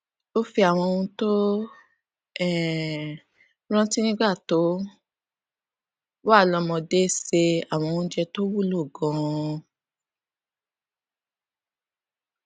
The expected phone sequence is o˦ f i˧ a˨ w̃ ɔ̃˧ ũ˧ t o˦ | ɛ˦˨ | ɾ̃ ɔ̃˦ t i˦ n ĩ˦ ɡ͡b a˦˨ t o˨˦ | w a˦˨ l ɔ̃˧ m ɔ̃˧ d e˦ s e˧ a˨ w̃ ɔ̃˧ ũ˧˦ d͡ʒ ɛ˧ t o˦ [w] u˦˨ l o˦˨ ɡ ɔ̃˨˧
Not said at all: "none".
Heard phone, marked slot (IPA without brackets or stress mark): w